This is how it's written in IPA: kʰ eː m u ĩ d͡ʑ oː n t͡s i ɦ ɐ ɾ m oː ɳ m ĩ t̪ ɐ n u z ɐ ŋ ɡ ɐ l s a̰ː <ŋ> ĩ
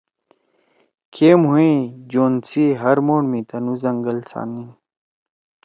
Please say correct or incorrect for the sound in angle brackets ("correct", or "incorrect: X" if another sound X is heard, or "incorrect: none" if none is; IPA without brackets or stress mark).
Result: incorrect: n